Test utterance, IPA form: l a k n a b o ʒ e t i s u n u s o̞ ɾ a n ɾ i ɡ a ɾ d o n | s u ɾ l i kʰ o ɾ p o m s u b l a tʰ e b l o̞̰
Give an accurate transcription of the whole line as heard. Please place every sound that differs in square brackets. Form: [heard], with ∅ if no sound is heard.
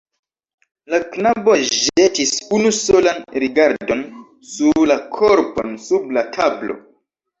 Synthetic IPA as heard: l a k n a b o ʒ e t i s u n u s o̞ [l] a n ɾ i ɡ a ɾ d o n | s u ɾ l [a] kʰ o ɾ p o [n] s u b l a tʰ [a] b l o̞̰